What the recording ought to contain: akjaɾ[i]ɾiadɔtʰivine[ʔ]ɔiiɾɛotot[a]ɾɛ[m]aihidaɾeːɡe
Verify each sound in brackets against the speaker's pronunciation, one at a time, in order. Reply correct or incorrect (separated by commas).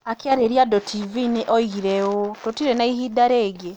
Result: incorrect, correct, incorrect, incorrect